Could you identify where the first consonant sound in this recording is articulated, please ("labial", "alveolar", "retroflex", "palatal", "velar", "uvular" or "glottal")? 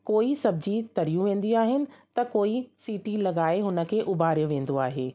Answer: velar